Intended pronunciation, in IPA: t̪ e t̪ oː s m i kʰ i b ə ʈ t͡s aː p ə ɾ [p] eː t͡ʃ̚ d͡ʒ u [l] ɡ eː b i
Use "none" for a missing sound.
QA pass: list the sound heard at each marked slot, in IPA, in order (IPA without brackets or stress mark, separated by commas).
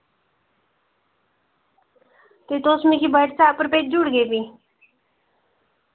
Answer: p, ɽ